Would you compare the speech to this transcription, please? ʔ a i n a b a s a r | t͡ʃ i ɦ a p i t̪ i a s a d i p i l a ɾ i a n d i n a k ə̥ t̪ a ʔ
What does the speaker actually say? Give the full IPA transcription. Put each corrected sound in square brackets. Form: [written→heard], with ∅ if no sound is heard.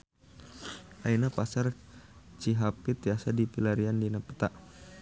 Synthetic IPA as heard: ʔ a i n a [b→p] a s a r | t͡ʃ i ɦ a p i t̪ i a s a d i p i l a ɾ i a n d i n a [k→p] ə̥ t̪ a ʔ